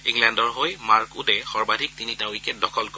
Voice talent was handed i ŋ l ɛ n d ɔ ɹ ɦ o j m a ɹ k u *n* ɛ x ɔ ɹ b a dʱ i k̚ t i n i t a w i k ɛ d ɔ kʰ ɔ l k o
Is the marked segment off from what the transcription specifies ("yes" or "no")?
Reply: yes